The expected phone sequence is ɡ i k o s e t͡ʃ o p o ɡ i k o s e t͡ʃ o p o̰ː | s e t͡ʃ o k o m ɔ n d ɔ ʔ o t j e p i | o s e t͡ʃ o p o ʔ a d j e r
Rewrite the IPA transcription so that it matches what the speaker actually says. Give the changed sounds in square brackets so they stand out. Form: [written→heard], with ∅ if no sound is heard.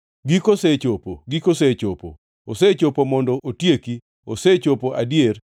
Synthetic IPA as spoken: ɡ i k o s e t͡ʃ o p o ɡ i k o s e t͡ʃ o p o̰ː | s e t͡ʃ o [k→p] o m ɔ n d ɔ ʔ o t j e [p→k] i | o s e t͡ʃ o p o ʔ a d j e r